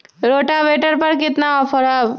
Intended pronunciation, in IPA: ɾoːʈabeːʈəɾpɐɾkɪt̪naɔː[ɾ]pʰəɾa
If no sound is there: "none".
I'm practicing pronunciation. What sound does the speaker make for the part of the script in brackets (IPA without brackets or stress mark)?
none